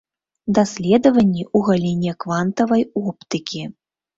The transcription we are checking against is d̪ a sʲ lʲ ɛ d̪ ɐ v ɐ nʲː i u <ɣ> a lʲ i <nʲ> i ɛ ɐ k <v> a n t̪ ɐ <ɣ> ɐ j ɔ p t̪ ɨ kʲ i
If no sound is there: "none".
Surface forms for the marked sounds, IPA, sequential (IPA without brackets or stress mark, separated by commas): ɣ, nʲ, v, v